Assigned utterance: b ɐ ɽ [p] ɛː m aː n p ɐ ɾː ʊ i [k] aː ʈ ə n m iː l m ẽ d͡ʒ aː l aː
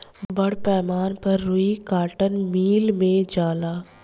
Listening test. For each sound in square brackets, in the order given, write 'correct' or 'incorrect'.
correct, correct

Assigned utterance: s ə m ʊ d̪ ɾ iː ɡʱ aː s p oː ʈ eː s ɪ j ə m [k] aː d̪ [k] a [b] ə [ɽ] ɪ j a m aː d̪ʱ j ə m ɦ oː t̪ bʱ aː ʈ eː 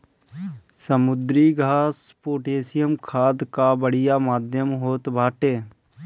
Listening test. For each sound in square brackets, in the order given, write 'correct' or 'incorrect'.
incorrect: kʰ, correct, correct, correct

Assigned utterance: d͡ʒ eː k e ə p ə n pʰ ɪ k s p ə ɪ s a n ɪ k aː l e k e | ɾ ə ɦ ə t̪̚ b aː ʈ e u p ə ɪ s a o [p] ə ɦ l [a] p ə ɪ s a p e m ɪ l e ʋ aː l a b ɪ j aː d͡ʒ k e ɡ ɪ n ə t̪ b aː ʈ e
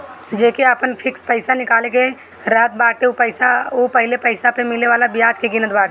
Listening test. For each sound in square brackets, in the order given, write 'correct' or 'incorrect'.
correct, incorrect: e

